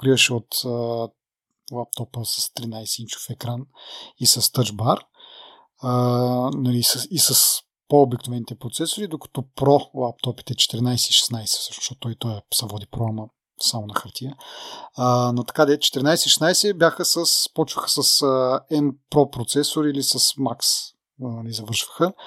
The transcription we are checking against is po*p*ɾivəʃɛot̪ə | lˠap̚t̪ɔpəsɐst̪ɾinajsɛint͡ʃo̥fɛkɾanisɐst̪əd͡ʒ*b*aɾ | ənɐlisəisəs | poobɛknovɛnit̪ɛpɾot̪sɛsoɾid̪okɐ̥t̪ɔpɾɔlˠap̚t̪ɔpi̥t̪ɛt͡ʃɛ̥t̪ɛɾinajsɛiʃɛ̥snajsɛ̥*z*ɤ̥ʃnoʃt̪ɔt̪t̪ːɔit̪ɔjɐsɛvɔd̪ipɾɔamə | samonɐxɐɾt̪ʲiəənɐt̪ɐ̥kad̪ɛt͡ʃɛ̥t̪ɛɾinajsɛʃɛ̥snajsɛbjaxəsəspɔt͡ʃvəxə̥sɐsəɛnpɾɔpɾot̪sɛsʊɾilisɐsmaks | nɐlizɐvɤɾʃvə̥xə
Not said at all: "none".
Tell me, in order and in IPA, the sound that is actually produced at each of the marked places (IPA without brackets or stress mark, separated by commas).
k, b, s